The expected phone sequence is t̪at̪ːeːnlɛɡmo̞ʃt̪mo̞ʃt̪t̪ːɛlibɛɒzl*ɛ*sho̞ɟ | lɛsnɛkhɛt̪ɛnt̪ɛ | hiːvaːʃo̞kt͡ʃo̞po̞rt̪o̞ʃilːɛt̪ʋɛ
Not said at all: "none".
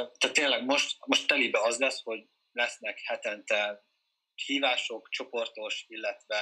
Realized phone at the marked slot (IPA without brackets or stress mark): ɛ